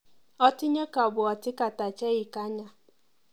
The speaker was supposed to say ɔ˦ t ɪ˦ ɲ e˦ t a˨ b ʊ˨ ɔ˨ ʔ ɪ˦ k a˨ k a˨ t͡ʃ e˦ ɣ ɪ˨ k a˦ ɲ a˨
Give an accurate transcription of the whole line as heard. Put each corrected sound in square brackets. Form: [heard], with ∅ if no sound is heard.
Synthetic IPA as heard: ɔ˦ t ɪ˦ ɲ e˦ [k] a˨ b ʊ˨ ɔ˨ [t] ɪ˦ k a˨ [t] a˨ t͡ʃ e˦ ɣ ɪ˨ k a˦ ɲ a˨